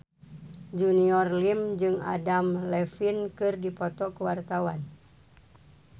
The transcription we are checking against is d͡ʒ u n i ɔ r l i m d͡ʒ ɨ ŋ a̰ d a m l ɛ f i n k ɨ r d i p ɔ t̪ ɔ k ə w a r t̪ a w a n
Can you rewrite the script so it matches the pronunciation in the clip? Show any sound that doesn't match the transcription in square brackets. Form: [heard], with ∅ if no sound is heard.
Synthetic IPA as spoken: d͡ʒ u n i ɔ r l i m d͡ʒ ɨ ŋ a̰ d a m l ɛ f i n k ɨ r d i p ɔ t̪ ɔ k ə w a r t̪ a w a n